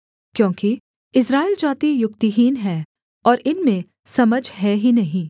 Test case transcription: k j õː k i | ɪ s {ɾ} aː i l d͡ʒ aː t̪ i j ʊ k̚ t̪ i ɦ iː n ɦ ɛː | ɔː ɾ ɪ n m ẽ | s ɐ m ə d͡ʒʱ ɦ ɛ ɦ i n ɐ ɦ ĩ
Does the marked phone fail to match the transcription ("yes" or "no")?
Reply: no